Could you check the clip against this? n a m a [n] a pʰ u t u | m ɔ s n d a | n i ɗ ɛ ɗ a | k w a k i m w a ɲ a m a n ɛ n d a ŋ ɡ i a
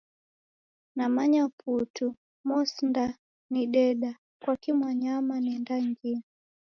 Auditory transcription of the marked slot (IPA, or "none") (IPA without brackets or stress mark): ɲ